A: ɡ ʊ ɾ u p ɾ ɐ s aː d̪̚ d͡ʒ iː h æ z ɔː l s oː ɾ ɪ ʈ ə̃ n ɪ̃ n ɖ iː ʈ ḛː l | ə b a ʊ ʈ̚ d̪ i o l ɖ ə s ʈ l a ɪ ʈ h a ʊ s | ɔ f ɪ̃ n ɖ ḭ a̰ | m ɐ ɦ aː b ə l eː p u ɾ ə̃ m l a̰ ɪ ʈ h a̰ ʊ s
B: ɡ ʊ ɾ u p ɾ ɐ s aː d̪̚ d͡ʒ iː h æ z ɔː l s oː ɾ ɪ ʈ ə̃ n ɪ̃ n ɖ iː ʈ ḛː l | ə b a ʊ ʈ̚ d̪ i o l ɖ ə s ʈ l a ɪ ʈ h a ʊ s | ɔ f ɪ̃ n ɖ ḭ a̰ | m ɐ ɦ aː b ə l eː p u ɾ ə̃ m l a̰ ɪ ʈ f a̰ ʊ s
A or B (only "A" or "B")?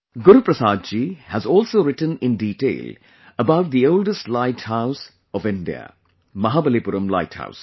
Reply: A